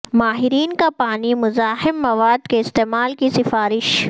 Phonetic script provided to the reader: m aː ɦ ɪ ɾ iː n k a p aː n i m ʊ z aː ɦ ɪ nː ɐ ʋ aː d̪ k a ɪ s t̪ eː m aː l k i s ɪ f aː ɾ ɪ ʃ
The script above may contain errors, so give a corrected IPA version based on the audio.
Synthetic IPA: m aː ɦ ɪ ɾ iː n k a p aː n i m ʊ z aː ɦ ɪ mː ɐ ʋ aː d̪ k e ɪ s t̪ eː m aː l k i s ɪ f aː ɾ ɪ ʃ